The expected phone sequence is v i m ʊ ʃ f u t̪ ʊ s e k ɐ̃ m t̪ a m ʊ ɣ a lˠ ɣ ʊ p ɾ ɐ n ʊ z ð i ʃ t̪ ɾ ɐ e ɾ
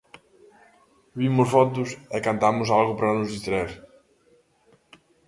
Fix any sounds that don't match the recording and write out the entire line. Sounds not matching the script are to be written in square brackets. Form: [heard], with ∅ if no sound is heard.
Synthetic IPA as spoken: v i m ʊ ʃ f [ɔ] t̪ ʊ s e k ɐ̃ [n] t̪ a m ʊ [z] a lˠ ɣ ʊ p ɾ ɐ n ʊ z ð i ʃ t̪ ɾ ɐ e ɾ